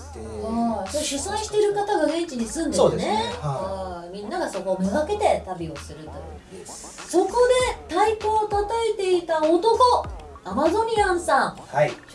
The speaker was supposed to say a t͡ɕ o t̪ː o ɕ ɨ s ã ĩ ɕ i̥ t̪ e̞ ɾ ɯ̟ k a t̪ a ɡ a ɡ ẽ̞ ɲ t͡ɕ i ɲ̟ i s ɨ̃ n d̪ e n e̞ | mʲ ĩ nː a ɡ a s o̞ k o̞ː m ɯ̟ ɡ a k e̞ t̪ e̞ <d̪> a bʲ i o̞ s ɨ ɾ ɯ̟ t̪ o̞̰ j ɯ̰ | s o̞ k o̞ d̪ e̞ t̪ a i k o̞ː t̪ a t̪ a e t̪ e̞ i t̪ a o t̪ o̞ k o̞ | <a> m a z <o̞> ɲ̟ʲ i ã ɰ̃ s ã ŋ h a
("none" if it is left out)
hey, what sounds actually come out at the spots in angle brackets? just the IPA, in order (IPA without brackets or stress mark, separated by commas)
t̪, a, o̞